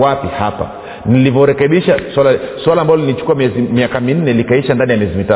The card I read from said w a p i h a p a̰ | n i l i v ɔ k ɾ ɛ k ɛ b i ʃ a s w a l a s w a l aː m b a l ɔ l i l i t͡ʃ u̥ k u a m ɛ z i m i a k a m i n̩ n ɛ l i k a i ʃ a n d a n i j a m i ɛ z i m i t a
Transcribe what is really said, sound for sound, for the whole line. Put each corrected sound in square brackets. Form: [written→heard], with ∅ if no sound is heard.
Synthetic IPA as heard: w a p i h a p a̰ | n i l i v ɔ [k→∅] ɾ ɛ k ɛ [b→ɓ] i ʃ a s w a l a s w a l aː m b a l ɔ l i l i t͡ʃ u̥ k u a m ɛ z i m i a k a m i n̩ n ɛ l i k a i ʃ a n d a n i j a m i ɛ z i m i t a